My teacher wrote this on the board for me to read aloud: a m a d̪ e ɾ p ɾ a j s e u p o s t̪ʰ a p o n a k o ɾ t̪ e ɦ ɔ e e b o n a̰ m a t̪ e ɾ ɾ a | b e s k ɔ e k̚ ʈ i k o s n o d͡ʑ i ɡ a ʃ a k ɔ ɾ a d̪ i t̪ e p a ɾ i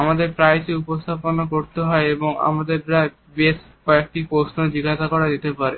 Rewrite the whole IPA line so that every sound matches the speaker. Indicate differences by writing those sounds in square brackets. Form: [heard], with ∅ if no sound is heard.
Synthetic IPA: a m a d̪ e ɾ p ɾ a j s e u p o s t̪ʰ a p o n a k o ɾ t̪ e ɦ ɔ e e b o [ŋ] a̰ m a [d̪] e ɾ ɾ a | b e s k ɔ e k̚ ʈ i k o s n o d͡ʑ i ɡ a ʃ a k ɔ ɾ a d̪ i t̪ e p a ɾ [e]